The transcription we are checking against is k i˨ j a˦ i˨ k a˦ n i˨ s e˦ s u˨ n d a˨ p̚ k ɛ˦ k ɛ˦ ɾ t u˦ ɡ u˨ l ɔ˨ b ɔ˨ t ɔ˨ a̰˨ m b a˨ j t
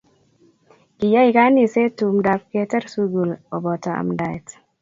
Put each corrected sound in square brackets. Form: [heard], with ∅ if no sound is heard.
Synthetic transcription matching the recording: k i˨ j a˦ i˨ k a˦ n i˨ s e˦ [t] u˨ [m] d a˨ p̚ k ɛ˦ [t] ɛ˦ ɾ [s] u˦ ɡ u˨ l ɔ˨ b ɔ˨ t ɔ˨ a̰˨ m [d] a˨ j t